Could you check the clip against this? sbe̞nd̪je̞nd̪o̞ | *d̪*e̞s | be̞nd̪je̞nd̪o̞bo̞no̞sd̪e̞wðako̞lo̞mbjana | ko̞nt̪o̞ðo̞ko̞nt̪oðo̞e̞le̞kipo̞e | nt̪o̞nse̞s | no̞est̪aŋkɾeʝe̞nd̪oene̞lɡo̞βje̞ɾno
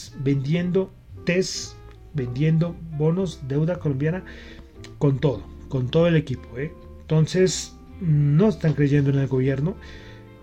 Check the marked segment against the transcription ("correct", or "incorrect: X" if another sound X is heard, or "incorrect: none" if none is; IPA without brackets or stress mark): incorrect: t̪